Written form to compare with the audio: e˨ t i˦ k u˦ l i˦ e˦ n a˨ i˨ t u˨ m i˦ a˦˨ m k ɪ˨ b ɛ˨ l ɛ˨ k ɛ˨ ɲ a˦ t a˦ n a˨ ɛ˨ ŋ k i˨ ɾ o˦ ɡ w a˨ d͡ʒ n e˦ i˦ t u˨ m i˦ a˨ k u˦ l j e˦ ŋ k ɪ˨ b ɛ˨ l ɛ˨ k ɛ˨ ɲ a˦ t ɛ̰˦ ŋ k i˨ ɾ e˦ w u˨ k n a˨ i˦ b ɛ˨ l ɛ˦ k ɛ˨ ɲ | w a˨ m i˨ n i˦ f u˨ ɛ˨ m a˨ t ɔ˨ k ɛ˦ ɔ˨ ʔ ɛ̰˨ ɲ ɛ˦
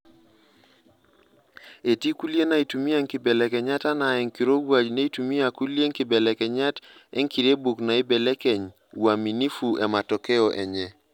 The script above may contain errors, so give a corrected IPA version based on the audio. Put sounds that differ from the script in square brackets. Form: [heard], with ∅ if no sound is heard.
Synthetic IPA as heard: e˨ t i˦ k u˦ l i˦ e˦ n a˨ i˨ t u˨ m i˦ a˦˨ [ŋ] k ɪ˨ b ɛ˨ l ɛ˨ k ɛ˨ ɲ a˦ t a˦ n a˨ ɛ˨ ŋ k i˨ ɾ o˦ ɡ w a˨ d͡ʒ n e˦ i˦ t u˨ m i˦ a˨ k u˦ l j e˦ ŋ k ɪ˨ b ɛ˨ l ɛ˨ k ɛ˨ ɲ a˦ t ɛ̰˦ ŋ k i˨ ɾ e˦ [b] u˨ k n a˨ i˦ b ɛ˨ l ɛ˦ k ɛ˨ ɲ | w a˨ m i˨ n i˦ f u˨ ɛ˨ m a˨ t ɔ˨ k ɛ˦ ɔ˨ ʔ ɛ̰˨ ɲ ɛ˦